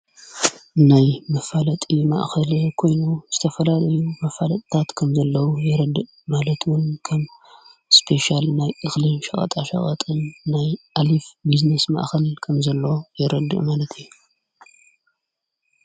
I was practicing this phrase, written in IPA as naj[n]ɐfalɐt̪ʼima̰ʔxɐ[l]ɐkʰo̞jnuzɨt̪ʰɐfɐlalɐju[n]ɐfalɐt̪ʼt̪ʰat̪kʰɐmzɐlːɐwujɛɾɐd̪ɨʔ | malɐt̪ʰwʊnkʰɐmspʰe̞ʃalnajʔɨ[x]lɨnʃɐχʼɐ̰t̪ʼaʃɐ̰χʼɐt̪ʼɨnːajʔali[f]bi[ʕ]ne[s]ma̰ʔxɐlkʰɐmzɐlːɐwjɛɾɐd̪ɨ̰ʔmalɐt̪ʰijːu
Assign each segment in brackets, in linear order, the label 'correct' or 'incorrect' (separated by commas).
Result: incorrect, correct, incorrect, correct, correct, incorrect, correct